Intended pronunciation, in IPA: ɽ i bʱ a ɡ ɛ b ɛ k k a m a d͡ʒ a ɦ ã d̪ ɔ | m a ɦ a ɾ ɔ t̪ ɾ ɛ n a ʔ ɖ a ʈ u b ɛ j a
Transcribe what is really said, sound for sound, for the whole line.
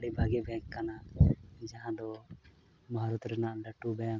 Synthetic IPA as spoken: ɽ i bʱ a ɡ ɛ b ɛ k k a n a d͡ʒ a ɦ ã d̪ ɔ | m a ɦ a ɾ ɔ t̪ ɾ ɛ n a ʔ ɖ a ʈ u b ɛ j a

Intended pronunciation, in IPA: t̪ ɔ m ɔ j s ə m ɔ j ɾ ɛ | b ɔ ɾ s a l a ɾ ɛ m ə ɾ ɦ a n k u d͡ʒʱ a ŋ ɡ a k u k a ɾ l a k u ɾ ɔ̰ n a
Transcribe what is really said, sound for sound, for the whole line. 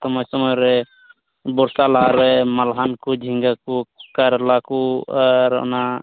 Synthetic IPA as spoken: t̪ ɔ m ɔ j s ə m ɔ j ɾ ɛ | b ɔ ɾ s a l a ɾ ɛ m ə l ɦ a n k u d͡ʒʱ i ŋ ɡ a k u k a ɾ l a k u ɾ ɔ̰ n a

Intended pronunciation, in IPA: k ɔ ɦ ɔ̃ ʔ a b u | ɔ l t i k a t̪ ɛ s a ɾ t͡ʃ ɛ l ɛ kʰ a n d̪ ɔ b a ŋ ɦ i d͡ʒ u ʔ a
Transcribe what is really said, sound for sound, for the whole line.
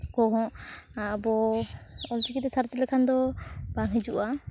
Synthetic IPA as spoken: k ɔ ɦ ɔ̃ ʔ a b ɔ | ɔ l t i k i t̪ ɛ s a ɾ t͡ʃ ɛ l ɛ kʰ a n d̪ ɔ b a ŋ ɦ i d͡ʒ u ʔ a

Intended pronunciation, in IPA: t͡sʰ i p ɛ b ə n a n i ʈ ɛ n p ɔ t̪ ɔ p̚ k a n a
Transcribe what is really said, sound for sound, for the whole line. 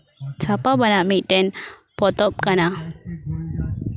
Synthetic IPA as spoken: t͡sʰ a p a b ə n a m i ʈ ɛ n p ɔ t̪ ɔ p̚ k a n a

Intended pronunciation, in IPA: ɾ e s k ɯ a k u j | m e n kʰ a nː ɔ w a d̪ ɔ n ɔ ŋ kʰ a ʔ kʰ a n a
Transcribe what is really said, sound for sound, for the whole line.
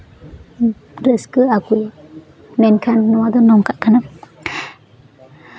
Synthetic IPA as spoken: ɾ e s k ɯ a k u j | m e n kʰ a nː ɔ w a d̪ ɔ n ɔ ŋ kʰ a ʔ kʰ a n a

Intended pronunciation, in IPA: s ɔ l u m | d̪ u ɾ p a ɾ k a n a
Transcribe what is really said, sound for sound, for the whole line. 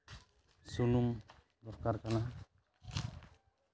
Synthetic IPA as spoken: s u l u m | d̪ ɔ ɾ k a ɾ k a n a

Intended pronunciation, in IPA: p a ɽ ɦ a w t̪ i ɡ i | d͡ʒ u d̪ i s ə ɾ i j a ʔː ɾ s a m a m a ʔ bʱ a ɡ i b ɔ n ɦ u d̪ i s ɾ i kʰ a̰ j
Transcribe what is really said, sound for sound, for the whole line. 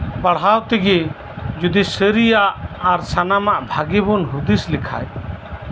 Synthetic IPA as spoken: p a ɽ ɦ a w t̪ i ɡ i | d͡ʒ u d̪ i s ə ɾ i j a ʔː ɾ s a n a m a ʔ bʱ a ɡ i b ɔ n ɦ u d̪ i s l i kʰ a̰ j

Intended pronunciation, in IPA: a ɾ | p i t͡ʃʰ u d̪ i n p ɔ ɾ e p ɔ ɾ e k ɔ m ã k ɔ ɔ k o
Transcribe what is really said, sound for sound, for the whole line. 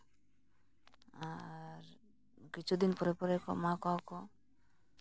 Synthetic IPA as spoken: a ɾ | k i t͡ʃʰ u d̪ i n p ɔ ɾ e p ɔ ɾ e k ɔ m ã k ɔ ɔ k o

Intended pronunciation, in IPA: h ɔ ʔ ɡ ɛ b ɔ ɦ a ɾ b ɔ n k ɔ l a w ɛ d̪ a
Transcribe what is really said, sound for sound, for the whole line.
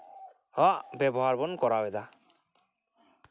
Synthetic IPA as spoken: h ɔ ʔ b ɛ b ɔ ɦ a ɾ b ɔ n k ɔ ɾ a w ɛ d̪ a

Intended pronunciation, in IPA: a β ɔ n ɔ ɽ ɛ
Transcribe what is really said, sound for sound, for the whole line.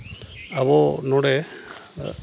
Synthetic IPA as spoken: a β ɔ n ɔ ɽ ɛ

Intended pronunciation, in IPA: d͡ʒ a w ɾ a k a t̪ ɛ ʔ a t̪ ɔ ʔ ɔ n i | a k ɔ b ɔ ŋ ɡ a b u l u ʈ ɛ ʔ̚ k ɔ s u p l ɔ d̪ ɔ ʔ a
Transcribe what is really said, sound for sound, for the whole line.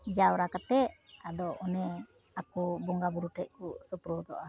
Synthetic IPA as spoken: d͡ʒ a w ɾ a k a t̪ ɛ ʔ a d̪ ɔ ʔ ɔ n ɛ | a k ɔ b ɔ ŋ ɡ a b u ɾ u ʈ ɛ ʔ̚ k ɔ s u p ɾ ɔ d̪ ɔ ʔ a

